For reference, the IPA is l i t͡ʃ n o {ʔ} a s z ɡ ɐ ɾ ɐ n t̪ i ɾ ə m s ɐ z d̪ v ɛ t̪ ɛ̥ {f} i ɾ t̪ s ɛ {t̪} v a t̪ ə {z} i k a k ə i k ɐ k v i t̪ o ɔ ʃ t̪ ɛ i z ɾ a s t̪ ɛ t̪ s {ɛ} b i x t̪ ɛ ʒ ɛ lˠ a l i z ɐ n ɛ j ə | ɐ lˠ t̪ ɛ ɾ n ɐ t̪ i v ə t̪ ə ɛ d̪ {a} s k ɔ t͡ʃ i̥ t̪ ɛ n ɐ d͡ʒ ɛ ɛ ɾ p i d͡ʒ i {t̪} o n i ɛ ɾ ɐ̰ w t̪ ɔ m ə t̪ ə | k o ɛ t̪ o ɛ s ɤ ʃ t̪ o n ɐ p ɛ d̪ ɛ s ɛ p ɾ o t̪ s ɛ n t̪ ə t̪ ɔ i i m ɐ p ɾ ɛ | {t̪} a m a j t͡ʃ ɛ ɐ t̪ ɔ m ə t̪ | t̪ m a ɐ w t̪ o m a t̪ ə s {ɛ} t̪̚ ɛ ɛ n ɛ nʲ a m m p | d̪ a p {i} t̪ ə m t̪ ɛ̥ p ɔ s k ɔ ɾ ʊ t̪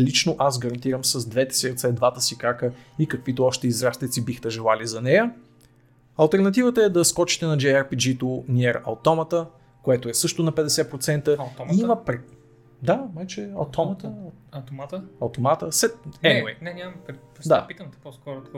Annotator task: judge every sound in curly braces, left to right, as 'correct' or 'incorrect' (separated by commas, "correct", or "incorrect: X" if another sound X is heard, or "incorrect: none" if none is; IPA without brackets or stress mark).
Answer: correct, incorrect: s, incorrect: d̪, incorrect: s, incorrect: i, incorrect: ɐ, correct, incorrect: d̪, correct, correct